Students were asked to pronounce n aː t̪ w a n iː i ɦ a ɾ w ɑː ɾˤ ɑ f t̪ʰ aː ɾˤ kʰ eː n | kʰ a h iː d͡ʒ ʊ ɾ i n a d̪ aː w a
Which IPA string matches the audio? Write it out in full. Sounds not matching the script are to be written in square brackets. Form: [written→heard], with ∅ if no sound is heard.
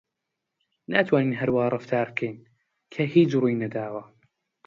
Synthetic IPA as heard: n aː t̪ w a n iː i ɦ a ɾ w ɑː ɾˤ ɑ f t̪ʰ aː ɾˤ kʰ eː n | kʰ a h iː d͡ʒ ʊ ɾ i n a d̪ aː w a